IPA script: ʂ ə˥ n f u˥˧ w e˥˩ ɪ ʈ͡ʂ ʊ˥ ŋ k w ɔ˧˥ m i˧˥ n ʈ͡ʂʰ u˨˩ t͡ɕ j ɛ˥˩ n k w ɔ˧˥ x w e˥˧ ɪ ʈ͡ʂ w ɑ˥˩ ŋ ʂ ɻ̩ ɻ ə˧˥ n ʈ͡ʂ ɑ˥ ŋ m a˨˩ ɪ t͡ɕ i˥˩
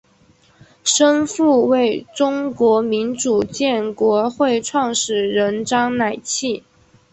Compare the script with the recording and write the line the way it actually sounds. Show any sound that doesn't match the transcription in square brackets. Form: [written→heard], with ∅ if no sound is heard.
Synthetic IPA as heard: ʂ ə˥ n f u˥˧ w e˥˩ ɪ ʈ͡ʂ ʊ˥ ŋ k w ɔ˧˥ m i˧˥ n [ʈ͡ʂʰ→ʈ͡ʂ] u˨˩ t͡ɕ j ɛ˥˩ n k w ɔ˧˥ x w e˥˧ ɪ [ʈ͡ʂ→ʈ͡ʂʰ] w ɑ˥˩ ŋ ʂ ɻ̩ ɻ ə˧˥ n ʈ͡ʂ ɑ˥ ŋ [m→n] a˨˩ ɪ [t͡ɕ→t͡ɕʰ] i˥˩